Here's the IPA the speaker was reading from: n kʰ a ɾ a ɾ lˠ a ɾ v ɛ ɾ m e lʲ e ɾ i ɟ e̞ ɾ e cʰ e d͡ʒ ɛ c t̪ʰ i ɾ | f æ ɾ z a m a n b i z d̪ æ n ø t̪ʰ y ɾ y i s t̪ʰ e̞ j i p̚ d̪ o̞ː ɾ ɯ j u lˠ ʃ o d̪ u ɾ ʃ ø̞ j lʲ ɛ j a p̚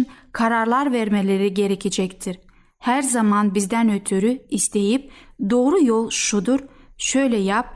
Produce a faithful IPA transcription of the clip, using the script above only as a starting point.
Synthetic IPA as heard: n kʰ a ɾ a ɾ lˠ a ɾ v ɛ ɾ m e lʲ e ɾ i ɟ e̞ ɾ e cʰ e d͡ʒ ɛ c t̪ʰ i ɾ | h æ ɾ z a m a n b i z d̪ æ n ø t̪ʰ y ɾ y i s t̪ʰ e̞ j i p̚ d̪ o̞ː ɾ u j o lˠ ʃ u d̪ u ɾ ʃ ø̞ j lʲ ɛ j a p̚